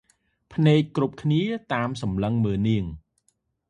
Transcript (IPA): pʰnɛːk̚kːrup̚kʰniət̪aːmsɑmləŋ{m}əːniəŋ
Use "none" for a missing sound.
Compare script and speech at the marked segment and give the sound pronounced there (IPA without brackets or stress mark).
m